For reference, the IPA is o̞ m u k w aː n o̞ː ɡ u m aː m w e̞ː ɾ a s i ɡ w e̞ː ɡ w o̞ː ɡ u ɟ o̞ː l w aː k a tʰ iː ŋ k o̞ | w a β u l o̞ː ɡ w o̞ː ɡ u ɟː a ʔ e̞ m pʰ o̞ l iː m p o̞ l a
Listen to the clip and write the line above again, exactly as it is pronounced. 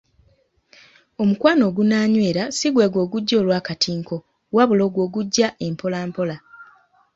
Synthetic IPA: o̞ m u k w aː n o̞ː ɡ u n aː ɲ w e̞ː ɾ a s i ɡ w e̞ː ɡ w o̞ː ɡ u ɟː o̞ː l w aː k a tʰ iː ŋ k o̞ | w a β u l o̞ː ɡ w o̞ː ɡ u ɟː a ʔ e̞ m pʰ o̞ l aː m p o̞ l a